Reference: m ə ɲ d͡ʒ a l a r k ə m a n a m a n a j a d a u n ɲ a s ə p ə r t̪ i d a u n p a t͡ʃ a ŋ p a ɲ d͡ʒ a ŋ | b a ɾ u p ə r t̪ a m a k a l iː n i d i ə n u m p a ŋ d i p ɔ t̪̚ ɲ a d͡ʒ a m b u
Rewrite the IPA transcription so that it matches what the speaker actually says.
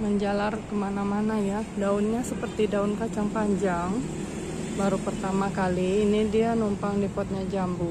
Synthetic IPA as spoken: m ə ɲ d͡ʒ a l a r k ə m a n a m a n a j a d a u n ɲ a s ə p ə r t̪ i d a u n k a t͡ʃ a ŋ p a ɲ d͡ʒ a ŋ | b a ɾ u p ə r t̪ a m a k a l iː n i d i a n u m p a ŋ d i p ɔ t̪̚ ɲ a d͡ʒ a m b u